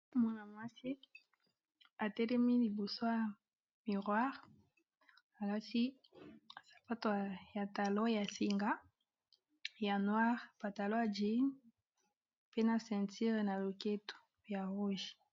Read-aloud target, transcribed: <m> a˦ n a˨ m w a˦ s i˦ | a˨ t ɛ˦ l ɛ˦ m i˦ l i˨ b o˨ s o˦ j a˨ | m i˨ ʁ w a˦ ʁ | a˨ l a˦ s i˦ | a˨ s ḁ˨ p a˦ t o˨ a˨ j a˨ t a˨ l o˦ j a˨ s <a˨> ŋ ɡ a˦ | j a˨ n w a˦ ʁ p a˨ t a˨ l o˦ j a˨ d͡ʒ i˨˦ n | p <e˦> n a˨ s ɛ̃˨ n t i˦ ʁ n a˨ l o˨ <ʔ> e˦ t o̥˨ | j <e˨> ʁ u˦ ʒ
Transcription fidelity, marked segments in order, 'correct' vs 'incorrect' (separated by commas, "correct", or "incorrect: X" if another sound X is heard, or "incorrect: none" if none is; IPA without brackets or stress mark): correct, incorrect: i˨, correct, incorrect: k, incorrect: a˨